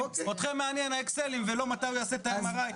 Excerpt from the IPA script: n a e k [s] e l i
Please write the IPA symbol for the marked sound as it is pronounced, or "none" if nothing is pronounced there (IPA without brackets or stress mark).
s